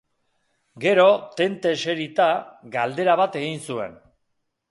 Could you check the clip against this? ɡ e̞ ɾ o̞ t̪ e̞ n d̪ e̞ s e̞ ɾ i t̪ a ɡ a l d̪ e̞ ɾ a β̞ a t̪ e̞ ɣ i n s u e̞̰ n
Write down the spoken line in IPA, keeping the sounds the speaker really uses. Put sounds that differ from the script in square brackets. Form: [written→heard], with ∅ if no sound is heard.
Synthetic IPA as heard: ɡ e̞ ɾ o̞ t̪ e̞ n [d̪→t̪] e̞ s e̞ ɾ i t̪ a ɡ a l d̪ e̞ ɾ a β̞ a t̪ e̞ ɣ i n s u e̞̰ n

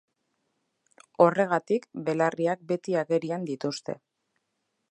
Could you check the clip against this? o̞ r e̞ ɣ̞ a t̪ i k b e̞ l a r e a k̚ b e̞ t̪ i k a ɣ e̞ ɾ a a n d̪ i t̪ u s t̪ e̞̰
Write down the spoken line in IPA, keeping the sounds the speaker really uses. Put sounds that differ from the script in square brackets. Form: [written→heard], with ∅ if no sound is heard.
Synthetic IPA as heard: o̞ r e̞ ɣ̞ a t̪ i k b e̞ l a r [e→i] a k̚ b e̞ t̪ i [k→∅] a ɣ e̞ ɾ [a→i] a n d̪ i t̪ u s t̪ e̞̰

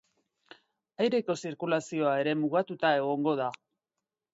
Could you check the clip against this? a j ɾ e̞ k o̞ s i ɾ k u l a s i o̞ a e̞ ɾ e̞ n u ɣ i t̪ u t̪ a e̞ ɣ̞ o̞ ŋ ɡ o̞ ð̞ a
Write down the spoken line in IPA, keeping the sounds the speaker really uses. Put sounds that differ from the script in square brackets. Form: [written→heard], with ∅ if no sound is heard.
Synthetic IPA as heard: a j ɾ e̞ k o̞ s i ɾ k u l a s i o̞ a e̞ ɾ e̞ [n→m] u ɣ [i→a] t̪ u t̪ a e̞ ɣ̞ o̞ ŋ ɡ o̞ ð̞ a

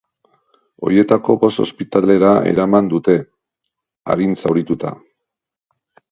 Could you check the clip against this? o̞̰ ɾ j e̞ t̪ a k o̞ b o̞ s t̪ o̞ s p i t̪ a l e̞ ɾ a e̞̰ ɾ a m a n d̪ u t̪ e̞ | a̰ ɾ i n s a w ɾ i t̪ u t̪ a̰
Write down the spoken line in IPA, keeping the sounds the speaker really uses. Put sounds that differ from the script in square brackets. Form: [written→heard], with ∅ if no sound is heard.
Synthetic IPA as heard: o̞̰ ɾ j e̞ t̪ a k o̞ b o̞ s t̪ o̞ s p i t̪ a l e̞ ɾ a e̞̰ ɾ a m a n d̪ u t̪ e̞ | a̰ ɾ i n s a w ɾ i t̪ u t̪ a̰

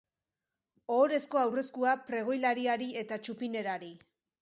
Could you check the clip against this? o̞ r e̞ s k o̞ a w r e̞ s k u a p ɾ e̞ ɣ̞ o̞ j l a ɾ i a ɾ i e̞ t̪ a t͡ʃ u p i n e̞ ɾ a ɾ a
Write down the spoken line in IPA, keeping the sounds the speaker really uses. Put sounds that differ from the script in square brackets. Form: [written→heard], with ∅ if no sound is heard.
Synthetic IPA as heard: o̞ [r→ɾ] e̞ s k o̞ a w r e̞ s k u a p ɾ e̞ ɣ̞ o̞ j l a ɾ i a ɾ i e̞ t̪ a t͡ʃ u p i n e̞ ɾ a ɾ [a→i]

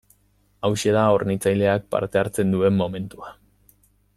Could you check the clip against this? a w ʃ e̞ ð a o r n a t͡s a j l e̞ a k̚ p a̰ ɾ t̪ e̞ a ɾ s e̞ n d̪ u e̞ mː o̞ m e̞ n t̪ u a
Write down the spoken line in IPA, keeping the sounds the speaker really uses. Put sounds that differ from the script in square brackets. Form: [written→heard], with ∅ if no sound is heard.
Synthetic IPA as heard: a w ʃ e̞ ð a o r n [a→i] t͡s a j l e̞ a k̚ p a̰ ɾ t̪ e̞ a ɾ [s→t͡s] e̞ n d̪ u e̞ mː o̞ m e̞ n t̪ u a

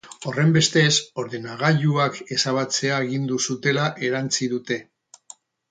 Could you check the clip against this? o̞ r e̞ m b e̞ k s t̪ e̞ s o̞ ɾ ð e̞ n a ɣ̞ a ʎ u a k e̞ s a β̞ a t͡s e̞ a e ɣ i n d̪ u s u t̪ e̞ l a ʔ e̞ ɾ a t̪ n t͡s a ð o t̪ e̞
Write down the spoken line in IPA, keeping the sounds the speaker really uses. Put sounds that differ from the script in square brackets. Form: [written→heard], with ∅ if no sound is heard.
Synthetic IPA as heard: o̞ r e̞ m b e̞ [k→∅] s t̪ e̞ s o̞ ɾ ð e̞ n a ɣ̞ a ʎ u a k e̞ s a β̞ a t͡s e̞ a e ɣ i n d̪ u s u t̪ e̞ l a ʔ e̞ ɾ a [t̪→∅] n t͡s [a→i] ð [o→u] t̪ e̞

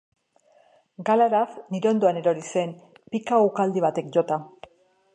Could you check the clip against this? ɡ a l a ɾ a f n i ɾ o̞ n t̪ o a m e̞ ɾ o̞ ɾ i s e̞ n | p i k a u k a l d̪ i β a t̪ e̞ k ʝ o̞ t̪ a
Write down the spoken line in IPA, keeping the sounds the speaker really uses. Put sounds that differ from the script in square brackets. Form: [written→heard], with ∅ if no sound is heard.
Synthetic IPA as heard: ɡ a l a ɾ a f n i ɾ o̞ n [t̪→d̪] o a [m→n] e̞ ɾ o̞ ɾ i s e̞ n | p i k a u k a l d̪ i β a t̪ e̞ k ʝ o̞ t̪ a

